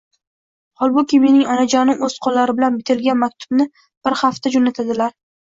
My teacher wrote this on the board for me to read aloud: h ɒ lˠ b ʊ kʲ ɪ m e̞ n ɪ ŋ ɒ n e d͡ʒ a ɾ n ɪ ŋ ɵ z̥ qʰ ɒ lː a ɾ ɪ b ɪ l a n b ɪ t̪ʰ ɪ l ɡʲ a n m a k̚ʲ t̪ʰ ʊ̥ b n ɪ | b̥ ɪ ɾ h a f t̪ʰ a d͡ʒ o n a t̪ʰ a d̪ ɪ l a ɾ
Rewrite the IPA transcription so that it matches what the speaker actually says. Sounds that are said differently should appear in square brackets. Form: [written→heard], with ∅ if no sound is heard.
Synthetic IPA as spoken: h ɒ lˠ b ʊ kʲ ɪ m e̞ n ɪ ŋ ɒ n [e→a] d͡ʒ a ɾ n ɪ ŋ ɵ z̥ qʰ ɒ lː a ɾ ɪ b ɪ l a n b ɪ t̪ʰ ɪ l ɡʲ a n m a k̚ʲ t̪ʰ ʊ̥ b n ɪ | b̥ ɪ ɾ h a f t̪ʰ a d͡ʒ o n a t̪ʰ a d̪ ɪ l a ɾ

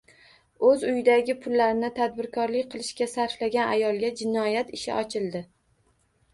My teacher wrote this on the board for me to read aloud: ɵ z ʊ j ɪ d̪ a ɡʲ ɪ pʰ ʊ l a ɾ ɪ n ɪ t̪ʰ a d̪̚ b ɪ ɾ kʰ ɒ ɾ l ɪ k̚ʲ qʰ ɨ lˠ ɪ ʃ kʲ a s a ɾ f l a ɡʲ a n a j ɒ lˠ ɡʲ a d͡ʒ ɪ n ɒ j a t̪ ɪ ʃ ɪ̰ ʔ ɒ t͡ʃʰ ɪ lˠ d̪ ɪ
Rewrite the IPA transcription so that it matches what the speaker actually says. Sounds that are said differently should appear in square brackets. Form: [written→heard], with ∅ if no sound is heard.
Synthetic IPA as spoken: ɵ z ʊ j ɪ d̪ a ɡʲ ɪ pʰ ʊ [l→lː] a ɾ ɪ n ɪ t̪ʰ a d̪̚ b ɪ ɾ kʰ ɒ ɾ l ɪ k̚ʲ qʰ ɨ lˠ ɪ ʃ kʲ a s a ɾ f l a ɡʲ a n a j ɒ lˠ ɡʲ a d͡ʒ ɪ n ɒ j a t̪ ɪ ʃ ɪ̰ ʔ ɒ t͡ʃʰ ɪ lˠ d̪ ɪ

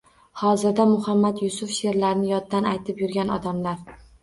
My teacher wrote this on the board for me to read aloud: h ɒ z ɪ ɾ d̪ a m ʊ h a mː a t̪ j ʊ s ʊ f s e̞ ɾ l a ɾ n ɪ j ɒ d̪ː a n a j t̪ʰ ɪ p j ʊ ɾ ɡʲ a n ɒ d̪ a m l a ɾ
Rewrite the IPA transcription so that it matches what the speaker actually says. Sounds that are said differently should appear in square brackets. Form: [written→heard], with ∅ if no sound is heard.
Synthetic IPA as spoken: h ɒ z ɪ ɾ d̪ a m ʊ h a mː a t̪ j ʊ s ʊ f [s→ʃ] e̞ ɾ l a ɾ n ɪ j ɒ d̪ː a n a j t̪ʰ ɪ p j ʊ ɾ ɡʲ a n ɒ d̪ a m l a ɾ

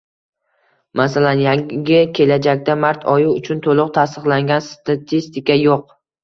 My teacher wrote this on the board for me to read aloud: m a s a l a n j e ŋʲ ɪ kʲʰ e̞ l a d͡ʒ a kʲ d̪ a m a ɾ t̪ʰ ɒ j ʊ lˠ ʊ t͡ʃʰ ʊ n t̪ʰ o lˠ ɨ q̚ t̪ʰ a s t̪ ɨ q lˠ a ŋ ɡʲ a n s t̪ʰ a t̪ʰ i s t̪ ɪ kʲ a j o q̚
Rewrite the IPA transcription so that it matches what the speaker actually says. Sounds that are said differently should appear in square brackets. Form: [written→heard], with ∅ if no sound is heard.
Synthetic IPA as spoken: m a s a l a n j [e→a] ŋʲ ɪ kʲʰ e̞ l a d͡ʒ a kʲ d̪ a m a ɾ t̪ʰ ɒ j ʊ [lˠ→∅] ʊ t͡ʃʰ ʊ n t̪ʰ o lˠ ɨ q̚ t̪ʰ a s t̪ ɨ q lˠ a ŋ ɡʲ a n s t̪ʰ a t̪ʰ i s t̪ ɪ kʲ a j o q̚

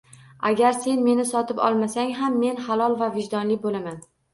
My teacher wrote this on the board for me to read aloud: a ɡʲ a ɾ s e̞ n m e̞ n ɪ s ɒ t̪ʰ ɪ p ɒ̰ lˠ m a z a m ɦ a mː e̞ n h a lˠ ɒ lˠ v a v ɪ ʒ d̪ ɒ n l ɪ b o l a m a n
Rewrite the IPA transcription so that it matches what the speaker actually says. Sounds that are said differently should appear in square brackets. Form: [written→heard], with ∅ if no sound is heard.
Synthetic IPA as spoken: a ɡʲ a ɾ s e̞ n m e̞ n ɪ s ɒ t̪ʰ ɪ p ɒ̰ lˠ m a [z→s] a [m→ŋ] ɦ a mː e̞ n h a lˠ ɒ lˠ v a v ɪ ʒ d̪ ɒ n l ɪ b o l a m a n

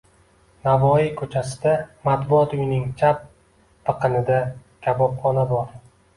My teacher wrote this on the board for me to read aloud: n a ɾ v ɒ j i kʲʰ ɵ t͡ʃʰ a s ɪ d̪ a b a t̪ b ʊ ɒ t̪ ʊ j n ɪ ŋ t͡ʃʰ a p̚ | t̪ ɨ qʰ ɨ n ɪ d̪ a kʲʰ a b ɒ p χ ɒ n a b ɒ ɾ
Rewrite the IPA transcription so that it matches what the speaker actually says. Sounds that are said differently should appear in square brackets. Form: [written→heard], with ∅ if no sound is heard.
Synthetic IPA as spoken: n a [ɾ→∅] v ɒ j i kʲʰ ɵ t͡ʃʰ a s ɪ d̪ a [b→m] a t̪ b ʊ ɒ t̪ ʊ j n ɪ ŋ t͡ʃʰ a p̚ | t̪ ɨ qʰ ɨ n ɪ d̪ a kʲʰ a b ɒ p χ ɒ n a b ɒ ɾ

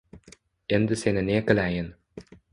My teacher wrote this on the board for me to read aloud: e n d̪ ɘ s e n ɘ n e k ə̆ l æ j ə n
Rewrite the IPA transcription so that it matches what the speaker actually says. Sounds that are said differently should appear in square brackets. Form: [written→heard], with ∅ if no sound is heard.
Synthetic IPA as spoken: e n d̪ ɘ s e n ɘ n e k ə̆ l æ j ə n

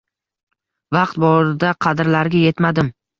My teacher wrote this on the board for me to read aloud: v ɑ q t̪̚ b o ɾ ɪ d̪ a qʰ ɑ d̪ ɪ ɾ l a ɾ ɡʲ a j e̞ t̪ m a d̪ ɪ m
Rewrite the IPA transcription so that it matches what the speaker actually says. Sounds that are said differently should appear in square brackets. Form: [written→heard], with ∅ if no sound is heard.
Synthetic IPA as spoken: v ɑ q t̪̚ b [o→ɒ] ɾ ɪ d̪ a qʰ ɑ d̪ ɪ ɾ l a ɾ ɡʲ a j e̞ t̪ m a d̪ ɪ m

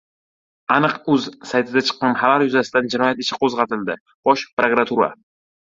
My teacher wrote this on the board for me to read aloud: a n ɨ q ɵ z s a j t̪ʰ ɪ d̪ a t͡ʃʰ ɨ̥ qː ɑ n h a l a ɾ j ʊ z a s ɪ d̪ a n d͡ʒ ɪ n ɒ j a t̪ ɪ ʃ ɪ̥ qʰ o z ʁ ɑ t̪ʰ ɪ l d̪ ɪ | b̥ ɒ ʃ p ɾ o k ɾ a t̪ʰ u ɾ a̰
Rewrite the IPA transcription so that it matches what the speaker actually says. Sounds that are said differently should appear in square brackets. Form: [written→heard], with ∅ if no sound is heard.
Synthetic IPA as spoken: a n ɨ q ɵ z s a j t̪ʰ ɪ d̪ a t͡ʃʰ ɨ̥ qː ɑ n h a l a ɾ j ʊ z a s ɪ d̪ a n d͡ʒ ɪ n ɒ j a t̪ ɪ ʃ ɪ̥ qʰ o z ʁ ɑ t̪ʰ ɪ l d̪ ɪ | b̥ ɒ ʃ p ɾ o k ɾ a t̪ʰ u ɾ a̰

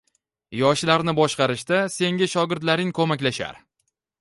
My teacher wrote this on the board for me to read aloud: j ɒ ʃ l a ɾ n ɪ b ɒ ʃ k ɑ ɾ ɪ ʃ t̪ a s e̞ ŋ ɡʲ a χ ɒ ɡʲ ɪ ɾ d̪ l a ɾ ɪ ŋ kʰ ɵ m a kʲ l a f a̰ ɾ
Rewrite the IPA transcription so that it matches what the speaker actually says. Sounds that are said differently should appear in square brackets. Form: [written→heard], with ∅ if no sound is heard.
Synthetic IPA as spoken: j ɒ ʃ l a ɾ n ɪ b ɒ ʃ [k→q] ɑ ɾ ɪ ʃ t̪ a s e̞ ŋ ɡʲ a [χ→ʃ] ɒ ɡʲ ɪ ɾ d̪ l a ɾ ɪ ŋ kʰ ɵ m a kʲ l a [f→ʃ] a̰ ɾ

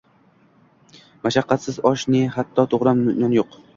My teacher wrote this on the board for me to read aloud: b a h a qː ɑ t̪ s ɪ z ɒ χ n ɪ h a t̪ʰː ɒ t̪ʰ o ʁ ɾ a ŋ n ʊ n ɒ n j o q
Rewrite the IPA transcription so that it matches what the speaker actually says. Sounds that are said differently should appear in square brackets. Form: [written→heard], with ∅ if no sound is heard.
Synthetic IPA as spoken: [b→m] a [h→ʃ] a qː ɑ t̪ s ɪ z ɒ [χ→ʃ] n ɪ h a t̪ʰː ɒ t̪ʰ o ʁ ɾ a [ŋ→m] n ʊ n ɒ n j o q

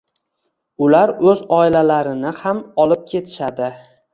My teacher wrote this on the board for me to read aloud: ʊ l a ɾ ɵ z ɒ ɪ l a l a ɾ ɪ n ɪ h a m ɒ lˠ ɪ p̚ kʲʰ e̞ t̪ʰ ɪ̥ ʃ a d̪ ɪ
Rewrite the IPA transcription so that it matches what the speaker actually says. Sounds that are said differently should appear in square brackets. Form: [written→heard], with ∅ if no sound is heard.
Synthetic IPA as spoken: ʊ l a ɾ ɵ z ɒ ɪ l a l a ɾ ɪ n ɪ h a m ɒ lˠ ɪ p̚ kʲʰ e̞ t̪ʰ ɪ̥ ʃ a d̪ ɪ

